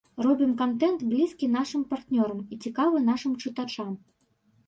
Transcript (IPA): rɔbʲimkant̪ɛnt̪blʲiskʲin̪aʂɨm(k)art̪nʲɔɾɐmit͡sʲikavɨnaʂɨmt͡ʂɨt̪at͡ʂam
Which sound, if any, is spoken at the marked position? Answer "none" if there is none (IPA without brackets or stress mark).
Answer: p